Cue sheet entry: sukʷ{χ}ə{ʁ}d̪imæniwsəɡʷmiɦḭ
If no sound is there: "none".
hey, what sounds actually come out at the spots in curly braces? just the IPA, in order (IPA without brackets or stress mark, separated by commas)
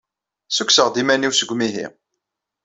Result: s, ʁ